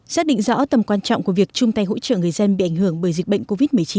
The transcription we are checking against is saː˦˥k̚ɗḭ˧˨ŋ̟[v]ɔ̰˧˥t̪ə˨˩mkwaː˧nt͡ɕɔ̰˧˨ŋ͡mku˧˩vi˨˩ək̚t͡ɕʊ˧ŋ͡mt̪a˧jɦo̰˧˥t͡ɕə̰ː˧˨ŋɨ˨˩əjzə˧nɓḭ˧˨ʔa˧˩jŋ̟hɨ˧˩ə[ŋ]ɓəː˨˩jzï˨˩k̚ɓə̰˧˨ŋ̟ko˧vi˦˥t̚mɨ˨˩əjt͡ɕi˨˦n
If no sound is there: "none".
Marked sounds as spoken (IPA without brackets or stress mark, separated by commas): z, ŋ